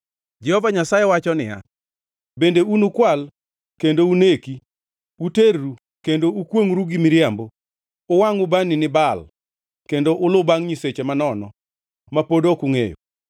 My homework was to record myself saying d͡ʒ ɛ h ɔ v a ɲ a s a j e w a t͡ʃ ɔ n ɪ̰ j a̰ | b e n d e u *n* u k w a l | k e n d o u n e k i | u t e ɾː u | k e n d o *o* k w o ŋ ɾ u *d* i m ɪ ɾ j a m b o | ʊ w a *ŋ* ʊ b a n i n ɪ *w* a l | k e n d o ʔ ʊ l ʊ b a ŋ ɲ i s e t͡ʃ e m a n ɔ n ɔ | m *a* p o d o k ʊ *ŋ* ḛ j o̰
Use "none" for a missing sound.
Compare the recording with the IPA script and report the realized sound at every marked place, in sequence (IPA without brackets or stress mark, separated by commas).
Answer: n, u, ɡ, ŋ, b, a, ŋ